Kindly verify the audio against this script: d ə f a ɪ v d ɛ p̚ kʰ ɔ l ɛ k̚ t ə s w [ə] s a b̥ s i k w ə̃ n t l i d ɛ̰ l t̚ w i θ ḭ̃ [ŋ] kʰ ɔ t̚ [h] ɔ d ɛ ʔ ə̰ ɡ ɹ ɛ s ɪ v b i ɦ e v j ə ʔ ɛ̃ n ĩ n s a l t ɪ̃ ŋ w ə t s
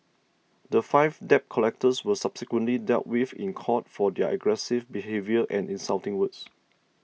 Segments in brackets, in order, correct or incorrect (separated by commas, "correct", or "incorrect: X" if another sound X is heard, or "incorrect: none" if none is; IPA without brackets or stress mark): correct, incorrect: n, incorrect: f